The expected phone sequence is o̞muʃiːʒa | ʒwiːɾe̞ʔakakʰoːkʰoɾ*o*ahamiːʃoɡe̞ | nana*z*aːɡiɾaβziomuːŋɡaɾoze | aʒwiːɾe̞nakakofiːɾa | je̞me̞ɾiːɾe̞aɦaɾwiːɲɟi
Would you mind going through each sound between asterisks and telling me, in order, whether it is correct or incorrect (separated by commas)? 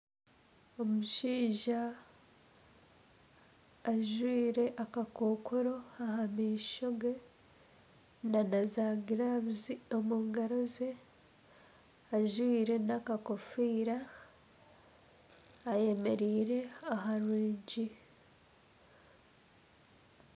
correct, correct